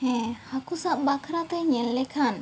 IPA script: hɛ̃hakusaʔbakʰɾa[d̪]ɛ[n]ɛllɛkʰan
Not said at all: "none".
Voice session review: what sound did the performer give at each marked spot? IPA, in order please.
t̪, ɲ

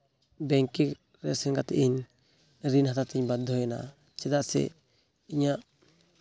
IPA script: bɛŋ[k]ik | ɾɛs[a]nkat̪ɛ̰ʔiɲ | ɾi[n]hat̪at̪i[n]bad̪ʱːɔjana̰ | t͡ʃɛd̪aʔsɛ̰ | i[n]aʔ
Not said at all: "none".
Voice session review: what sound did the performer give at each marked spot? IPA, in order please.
k, ɛ, n, ɲ, ɲ

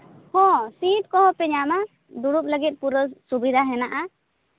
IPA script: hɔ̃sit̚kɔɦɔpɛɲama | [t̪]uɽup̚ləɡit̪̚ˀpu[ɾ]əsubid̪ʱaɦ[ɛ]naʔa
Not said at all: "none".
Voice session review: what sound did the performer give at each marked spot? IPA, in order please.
d̪, ɾ, ɛ

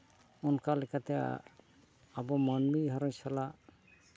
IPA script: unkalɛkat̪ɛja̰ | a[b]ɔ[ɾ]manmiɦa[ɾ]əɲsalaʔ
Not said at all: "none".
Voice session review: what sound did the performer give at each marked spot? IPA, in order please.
b, none, ɾ

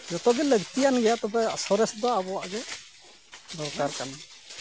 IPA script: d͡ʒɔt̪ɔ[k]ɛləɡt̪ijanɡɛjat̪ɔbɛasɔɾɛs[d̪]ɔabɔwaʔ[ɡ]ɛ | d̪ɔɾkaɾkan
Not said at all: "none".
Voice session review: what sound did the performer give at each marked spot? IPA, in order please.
ɡ, d̪, ɡ

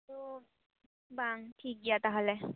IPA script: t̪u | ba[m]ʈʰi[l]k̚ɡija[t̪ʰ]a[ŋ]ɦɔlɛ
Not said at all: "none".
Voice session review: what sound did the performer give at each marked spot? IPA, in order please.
ŋ, none, t̪, none

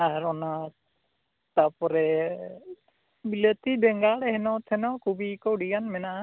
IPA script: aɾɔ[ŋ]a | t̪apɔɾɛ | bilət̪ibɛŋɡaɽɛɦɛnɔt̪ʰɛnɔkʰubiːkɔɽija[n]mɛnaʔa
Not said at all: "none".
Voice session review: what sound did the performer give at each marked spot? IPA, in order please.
n, n

